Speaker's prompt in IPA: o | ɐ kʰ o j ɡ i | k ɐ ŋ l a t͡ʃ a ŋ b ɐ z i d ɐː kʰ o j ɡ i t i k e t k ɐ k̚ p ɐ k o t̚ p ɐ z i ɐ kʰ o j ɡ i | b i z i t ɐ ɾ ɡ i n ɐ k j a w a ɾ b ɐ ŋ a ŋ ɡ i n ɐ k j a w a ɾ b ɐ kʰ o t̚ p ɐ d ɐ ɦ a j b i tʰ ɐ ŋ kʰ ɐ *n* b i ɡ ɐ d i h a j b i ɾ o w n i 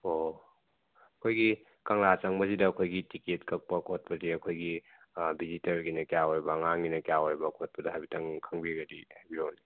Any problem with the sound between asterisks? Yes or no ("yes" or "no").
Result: yes